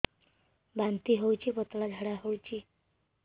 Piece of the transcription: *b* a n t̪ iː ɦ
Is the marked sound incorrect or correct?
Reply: correct